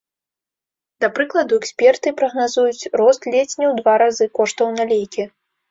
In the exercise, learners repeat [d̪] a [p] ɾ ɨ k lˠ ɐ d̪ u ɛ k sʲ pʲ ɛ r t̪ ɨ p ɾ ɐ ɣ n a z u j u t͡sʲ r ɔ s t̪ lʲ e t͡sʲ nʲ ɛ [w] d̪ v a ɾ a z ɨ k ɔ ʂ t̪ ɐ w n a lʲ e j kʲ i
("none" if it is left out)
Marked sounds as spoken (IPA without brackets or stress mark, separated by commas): d̪, p, w